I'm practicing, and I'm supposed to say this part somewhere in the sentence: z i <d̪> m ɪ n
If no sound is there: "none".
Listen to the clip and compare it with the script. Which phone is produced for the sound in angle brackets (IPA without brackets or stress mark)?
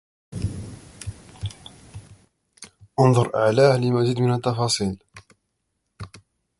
d̪